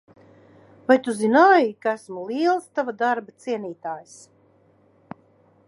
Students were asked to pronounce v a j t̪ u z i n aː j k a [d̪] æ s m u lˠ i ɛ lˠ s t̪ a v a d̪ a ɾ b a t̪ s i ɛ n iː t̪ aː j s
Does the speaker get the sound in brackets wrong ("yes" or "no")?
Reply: yes